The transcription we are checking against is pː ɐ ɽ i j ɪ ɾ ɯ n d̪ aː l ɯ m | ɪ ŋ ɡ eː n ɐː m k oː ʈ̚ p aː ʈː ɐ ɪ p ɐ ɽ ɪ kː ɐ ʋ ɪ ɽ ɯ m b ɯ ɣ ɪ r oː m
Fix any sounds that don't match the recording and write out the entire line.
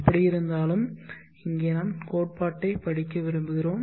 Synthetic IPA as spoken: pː ɐ ɽ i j ɪ ɾ ɯ n d̪ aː l ɯ m | ɪ ŋ ɡ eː n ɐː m k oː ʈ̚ p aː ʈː ɐ ɪ p ɐ ɽ ɪ kː ɐ ʋ ɪ ɾ ɯ m b ɯ ɣ ɪ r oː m